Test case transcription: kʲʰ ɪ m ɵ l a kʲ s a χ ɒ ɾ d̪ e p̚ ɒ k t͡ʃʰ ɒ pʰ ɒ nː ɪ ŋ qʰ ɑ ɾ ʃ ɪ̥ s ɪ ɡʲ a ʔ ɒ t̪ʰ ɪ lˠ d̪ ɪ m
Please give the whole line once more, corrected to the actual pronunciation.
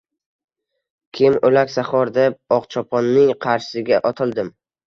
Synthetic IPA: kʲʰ ɪ m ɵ l a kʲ s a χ ɒ ɾ d̪ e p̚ ɒ q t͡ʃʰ ɒ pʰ ɒ nː ɪ ŋ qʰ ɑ ɾ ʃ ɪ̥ s ɪ ɡʲ a ʔ ɒ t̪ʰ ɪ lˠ d̪ ɪ m